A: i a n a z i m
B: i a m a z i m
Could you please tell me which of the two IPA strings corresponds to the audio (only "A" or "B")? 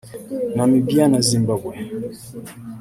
A